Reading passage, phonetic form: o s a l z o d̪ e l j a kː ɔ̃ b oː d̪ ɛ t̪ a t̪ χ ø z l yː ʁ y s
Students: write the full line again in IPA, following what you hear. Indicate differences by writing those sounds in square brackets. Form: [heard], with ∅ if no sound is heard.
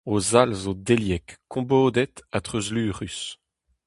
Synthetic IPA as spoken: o [z] a l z o d̪ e l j [ɛ] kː ɔ̃ b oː d̪ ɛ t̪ a t̪ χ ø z l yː ʁ y s